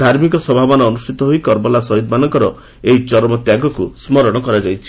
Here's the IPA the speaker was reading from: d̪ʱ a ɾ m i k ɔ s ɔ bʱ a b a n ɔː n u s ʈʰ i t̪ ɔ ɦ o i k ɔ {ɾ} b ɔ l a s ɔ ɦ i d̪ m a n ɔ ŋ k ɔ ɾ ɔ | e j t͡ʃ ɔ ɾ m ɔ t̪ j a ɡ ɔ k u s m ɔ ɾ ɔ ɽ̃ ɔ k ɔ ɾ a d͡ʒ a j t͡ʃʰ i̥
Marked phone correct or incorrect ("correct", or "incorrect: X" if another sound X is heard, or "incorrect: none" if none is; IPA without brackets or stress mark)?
correct